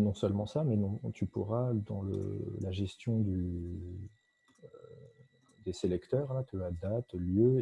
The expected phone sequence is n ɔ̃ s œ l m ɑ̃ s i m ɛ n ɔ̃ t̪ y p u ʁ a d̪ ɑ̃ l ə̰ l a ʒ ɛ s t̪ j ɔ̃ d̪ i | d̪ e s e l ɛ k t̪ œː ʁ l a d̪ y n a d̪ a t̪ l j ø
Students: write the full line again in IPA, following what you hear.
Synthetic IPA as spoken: n ɔ̃ s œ l m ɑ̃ s a m ɛ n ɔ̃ t̪ y p u ʁ a d̪ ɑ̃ l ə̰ l a ʒ ɛ s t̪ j ɔ̃ d̪ y | d̪ e s e l ɛ k t̪ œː ʁ l a t̪ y a d̪ a t̪ l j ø